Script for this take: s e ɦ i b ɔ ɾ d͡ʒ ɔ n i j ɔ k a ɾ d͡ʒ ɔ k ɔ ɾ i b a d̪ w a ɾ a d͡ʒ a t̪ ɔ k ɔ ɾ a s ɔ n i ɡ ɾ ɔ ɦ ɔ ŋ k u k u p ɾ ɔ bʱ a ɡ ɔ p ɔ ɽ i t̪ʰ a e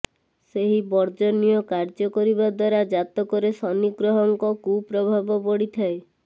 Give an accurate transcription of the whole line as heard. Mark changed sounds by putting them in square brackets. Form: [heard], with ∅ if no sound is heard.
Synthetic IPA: s e ɦ i b ɔ ɾ d͡ʒ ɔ n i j ɔ k a ɾ d͡ʒ ɔ k ɔ ɾ i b a d̪ w a ɾ a d͡ʒ a t̪ ɔ k ɔ ɾ [e] s ɔ n i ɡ ɾ ɔ ɦ ɔ ŋ k [ɔ] k u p ɾ ɔ bʱ a [b] ɔ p ɔ ɽ i t̪ʰ a e